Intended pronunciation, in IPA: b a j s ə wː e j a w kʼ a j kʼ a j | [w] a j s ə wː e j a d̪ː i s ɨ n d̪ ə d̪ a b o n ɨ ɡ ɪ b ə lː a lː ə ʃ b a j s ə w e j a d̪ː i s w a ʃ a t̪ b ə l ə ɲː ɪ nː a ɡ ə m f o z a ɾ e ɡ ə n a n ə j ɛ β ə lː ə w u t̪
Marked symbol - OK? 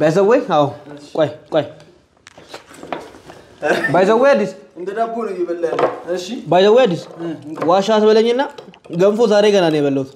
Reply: no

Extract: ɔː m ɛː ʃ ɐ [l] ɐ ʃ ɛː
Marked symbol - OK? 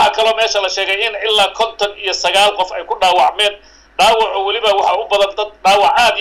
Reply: yes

